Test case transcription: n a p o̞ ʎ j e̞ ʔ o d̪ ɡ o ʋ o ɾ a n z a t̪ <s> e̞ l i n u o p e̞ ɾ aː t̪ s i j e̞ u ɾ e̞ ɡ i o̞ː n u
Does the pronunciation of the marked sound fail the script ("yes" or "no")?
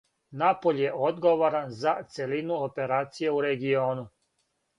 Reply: no